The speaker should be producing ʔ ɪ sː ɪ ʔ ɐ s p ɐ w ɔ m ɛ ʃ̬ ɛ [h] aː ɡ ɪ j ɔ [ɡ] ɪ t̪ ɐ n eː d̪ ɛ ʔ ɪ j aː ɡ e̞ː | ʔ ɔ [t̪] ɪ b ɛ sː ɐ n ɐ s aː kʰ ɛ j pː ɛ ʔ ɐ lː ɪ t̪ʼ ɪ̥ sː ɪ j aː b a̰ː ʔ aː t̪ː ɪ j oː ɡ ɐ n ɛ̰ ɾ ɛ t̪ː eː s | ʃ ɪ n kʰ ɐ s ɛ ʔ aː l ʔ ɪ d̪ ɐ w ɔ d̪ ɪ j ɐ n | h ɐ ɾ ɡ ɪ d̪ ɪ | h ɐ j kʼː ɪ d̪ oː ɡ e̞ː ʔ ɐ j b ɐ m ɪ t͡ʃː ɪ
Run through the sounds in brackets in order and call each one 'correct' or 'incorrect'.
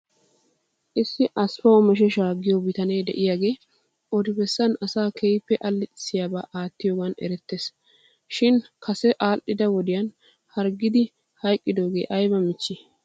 incorrect, incorrect, incorrect

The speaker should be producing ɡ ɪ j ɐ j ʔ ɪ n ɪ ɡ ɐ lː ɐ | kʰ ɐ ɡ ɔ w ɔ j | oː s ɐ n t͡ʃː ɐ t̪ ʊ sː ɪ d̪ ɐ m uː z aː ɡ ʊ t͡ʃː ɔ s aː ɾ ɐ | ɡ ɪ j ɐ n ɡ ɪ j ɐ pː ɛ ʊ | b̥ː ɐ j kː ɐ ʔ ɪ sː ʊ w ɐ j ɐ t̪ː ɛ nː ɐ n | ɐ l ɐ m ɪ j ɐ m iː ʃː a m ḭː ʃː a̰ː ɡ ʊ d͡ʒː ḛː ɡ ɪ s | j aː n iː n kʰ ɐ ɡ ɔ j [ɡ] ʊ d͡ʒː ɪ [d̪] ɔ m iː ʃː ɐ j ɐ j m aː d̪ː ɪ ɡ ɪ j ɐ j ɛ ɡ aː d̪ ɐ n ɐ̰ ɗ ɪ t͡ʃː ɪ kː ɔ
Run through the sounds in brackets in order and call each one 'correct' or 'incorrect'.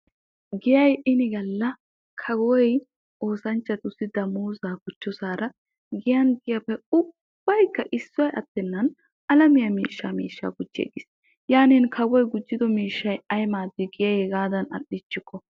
correct, correct

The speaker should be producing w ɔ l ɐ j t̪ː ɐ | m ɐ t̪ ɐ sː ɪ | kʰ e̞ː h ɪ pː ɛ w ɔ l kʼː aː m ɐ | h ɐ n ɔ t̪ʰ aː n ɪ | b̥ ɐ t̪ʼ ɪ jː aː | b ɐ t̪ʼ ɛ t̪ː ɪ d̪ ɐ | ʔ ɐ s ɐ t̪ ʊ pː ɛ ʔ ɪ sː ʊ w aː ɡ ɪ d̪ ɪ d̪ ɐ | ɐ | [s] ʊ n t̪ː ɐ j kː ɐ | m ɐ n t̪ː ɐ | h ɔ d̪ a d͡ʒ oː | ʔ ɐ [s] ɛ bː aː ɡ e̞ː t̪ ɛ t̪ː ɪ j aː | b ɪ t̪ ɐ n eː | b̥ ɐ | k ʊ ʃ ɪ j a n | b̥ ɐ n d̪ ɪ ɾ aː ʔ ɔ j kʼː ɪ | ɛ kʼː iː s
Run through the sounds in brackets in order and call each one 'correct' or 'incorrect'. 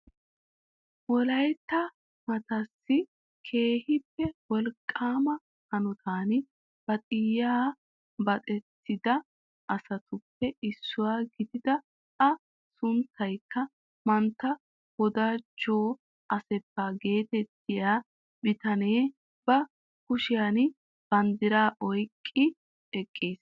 correct, correct

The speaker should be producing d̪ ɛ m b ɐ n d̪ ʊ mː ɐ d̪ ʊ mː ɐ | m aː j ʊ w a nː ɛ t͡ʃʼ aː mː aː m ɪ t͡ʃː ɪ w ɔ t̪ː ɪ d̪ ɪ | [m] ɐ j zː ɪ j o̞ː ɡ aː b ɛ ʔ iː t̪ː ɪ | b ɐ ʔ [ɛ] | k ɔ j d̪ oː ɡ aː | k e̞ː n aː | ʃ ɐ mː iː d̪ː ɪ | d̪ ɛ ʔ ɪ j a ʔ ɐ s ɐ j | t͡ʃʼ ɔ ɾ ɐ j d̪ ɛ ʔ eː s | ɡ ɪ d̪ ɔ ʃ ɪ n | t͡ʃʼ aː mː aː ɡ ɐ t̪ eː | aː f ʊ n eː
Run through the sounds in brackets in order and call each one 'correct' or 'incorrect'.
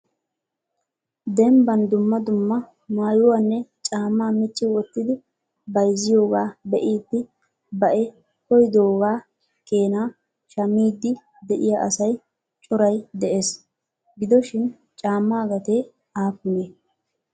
incorrect, correct

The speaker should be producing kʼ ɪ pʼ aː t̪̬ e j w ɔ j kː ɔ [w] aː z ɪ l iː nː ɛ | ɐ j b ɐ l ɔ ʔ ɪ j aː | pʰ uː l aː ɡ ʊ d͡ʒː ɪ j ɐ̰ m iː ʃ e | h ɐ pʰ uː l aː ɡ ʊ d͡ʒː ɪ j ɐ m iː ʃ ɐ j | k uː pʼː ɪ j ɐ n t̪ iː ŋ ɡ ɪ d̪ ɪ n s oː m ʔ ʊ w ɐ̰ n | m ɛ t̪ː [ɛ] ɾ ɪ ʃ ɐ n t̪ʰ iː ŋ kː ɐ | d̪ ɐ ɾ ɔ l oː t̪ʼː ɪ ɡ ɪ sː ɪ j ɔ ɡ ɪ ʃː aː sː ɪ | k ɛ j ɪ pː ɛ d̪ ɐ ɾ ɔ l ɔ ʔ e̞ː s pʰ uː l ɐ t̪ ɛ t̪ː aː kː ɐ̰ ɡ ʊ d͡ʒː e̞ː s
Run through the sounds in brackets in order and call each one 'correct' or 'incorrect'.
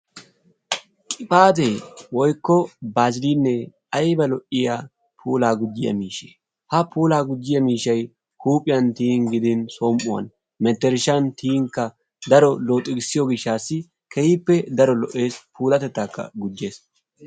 incorrect, correct

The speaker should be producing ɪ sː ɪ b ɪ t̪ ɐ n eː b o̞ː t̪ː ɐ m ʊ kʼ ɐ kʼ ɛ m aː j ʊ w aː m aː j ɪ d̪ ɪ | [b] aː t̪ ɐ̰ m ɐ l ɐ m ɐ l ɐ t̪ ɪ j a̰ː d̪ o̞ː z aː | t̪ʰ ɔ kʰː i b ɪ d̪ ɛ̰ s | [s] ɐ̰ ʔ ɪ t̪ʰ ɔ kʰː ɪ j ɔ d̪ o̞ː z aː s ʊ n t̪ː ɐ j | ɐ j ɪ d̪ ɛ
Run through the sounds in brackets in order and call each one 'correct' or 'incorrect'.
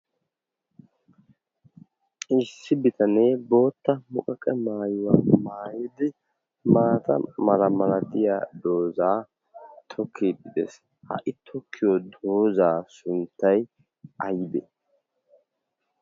incorrect, incorrect

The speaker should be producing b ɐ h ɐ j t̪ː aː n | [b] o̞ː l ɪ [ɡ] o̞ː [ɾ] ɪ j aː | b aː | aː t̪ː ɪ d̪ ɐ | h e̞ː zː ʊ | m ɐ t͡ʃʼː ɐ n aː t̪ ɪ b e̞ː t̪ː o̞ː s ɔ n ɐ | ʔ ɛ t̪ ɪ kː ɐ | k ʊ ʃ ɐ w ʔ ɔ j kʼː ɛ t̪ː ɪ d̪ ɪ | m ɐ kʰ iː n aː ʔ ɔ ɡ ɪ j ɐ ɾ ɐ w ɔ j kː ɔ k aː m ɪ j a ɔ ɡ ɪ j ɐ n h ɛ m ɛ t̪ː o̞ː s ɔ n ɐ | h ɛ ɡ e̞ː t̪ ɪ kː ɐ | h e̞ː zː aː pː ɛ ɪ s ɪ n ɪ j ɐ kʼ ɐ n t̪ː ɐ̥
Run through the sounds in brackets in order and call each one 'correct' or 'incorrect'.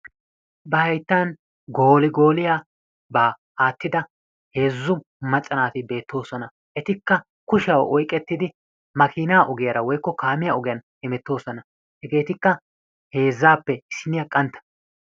incorrect, correct, incorrect

